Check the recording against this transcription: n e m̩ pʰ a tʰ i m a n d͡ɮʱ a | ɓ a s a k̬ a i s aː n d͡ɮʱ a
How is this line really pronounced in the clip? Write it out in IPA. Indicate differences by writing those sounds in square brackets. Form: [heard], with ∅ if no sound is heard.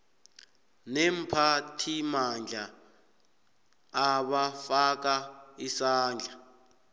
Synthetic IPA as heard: n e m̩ pʰ a tʰ i m a n d͡ɮʱ a | ɓ a [f] a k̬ a i s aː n d͡ɮʱ a

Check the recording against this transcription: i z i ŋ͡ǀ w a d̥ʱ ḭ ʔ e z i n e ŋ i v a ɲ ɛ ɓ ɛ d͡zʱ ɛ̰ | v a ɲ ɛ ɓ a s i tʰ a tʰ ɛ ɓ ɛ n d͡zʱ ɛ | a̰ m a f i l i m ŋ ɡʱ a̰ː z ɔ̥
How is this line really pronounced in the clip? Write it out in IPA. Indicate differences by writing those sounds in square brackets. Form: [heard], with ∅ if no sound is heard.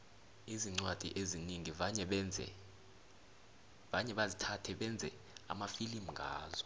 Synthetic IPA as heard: i z i ŋ͡ǀ w a d̥ʱ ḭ ʔ e z i n [i] ŋ i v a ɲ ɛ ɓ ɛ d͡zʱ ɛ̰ | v a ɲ ɛ ɓ a [z] i tʰ a tʰ ɛ ɓ ɛ n d͡zʱ ɛ | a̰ m a f i l i m ŋ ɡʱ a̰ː z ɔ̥

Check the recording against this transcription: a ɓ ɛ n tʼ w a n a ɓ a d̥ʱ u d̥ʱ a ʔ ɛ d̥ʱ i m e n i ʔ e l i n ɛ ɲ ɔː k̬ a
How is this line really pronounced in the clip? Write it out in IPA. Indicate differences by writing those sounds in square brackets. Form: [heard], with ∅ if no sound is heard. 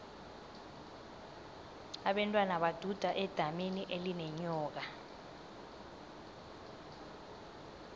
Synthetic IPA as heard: a ɓ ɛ n tʼ w a n a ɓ a d̥ʱ u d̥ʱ a ʔ ɛ d̥ʱ [a] m e n i ʔ e l i n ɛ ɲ ɔː k̬ a

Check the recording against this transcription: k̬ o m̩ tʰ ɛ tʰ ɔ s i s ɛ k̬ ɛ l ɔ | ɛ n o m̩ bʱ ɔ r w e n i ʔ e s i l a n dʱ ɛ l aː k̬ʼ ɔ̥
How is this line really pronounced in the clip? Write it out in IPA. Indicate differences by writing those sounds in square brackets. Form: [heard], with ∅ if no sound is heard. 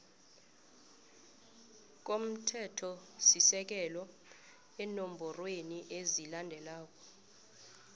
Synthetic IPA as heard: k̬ o m̩ tʰ ɛ tʰ ɔ s i s ɛ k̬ ɛ l ɔ | ɛ n o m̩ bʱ ɔ r w e n i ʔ e [z] i l a n dʱ ɛ l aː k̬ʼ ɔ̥

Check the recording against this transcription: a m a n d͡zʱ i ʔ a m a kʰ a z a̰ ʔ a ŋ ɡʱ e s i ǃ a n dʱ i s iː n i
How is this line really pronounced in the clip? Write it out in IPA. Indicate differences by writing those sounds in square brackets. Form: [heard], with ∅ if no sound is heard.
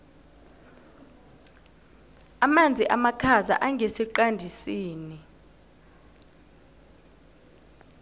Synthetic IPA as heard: a m a n d͡zʱ i ʔ a m a kʰ a z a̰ ʔ a ŋ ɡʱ e s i ǃ a n dʱ i s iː n i

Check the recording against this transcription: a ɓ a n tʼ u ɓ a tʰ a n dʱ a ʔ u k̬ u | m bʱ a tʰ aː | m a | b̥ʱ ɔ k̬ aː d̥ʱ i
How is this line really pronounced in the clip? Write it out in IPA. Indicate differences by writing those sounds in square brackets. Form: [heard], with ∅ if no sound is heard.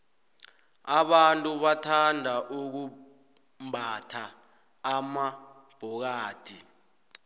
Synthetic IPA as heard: a ɓ a n tʼ u ɓ a tʰ a n dʱ a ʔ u k̬ u | m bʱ a tʰ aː | m a | b̥ʱ ɔ k̬ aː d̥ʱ i

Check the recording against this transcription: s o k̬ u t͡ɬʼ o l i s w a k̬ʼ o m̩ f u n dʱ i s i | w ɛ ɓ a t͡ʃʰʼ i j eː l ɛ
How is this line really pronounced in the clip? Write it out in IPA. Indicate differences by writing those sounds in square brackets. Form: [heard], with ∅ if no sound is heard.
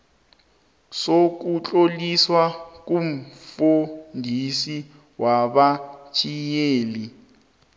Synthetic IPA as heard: s o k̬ u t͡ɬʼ o l i s w a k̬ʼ [u] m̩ f u n dʱ i s i | w [a] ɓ a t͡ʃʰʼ i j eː l [i]

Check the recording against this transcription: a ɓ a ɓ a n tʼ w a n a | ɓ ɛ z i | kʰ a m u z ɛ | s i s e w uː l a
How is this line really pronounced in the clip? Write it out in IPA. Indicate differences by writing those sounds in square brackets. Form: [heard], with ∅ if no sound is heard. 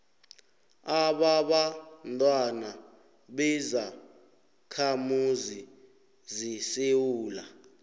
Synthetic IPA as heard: a ɓ a ɓ a n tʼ w a n a | ɓ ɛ z [a] | kʰ a m u z [i] | [z] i s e w uː l a

